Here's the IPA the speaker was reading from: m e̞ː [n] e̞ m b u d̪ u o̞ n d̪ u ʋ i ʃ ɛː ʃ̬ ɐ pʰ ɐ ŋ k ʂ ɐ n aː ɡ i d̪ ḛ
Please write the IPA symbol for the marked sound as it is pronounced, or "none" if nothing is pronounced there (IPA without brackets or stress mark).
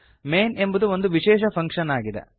n